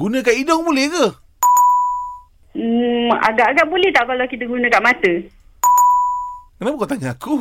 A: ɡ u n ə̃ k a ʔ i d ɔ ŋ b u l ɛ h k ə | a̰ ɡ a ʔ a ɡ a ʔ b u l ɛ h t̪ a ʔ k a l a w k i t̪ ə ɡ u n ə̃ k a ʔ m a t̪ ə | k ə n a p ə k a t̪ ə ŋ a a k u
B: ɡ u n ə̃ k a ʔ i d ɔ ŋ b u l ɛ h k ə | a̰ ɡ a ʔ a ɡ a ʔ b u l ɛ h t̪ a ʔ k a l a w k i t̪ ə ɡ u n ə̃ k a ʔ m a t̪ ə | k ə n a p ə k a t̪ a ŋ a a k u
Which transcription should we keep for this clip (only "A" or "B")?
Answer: B